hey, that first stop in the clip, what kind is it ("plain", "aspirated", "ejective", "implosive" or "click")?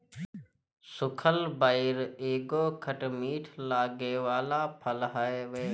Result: aspirated